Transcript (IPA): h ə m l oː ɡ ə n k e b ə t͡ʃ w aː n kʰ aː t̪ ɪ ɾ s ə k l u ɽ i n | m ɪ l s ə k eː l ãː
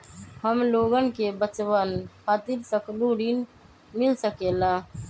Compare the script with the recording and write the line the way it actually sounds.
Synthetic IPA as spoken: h ə m l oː ɡ ə n k e b ə t͡ʃ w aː n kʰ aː t̪ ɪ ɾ s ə k l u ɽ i n | m ɪ l s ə k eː l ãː

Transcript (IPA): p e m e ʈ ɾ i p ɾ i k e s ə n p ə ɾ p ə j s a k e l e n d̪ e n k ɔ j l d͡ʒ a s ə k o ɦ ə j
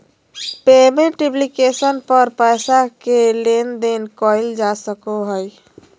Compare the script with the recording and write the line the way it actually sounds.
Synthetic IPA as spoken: p e m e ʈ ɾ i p l i k e s ə n p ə ɾ p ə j s a k e l e n d̪ e n k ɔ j l d͡ʒ a s ə k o ɦ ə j

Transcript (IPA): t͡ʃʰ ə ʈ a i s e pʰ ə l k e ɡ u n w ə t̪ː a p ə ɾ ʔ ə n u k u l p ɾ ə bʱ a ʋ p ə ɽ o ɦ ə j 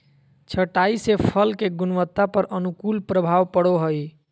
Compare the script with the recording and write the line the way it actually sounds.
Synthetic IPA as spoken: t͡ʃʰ ə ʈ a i s e pʰ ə l k e ɡ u n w ə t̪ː a p ə ɾ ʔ ə n u k u l p ɾ ə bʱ a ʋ p ə ɽ o ɦ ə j

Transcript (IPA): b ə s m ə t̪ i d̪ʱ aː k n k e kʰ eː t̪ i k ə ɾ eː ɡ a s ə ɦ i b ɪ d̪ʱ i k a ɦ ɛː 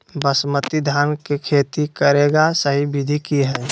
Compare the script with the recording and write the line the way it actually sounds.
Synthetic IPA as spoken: b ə s m ə t̪ i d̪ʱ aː n k e kʰ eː t̪ i k ə ɾ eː ɡ a s ə ɦ i b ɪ d̪ʱ i k i ɦ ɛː

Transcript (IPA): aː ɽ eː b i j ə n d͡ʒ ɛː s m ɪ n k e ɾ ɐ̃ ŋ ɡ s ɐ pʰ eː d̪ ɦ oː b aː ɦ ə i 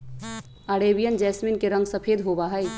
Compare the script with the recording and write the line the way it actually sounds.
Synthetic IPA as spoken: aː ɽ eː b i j ə n d͡ʒ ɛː s m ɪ n k e ɾ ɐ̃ ŋ ɡ s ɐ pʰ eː d̪ ɦ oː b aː ɦ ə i

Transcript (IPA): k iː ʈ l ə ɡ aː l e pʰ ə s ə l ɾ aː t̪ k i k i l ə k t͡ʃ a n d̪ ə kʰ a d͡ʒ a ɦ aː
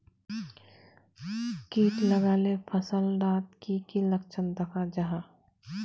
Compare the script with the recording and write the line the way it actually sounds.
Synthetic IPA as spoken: k iː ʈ l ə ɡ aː l e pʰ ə s ə l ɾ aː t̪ k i k i l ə k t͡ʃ ə n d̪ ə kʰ a d͡ʒ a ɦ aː

